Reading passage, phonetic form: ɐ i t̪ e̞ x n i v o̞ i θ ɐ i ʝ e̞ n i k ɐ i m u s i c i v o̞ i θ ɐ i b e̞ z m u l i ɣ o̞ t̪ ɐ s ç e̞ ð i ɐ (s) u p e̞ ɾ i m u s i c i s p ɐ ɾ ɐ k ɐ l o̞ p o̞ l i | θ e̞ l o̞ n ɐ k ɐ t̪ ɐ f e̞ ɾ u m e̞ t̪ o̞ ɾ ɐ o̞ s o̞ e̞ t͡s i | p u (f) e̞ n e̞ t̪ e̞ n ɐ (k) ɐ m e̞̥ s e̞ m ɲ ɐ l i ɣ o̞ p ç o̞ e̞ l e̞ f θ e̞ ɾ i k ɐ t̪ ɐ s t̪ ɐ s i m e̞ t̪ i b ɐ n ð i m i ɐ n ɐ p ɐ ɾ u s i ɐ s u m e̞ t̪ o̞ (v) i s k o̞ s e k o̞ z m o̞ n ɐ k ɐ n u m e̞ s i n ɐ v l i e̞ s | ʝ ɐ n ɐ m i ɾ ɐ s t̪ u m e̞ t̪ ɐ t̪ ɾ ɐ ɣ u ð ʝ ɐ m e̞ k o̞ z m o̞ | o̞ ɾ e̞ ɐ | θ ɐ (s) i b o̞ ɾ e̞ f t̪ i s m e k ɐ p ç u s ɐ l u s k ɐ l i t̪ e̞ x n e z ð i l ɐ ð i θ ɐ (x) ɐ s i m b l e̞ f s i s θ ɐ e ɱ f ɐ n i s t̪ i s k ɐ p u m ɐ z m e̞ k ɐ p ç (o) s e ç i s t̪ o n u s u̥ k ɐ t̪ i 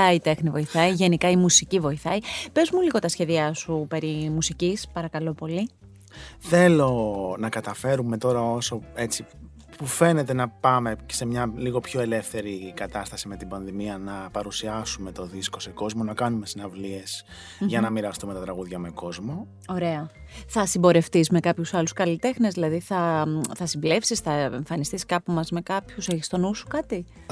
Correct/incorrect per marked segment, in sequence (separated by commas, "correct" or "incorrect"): correct, correct, incorrect, incorrect, correct, incorrect, incorrect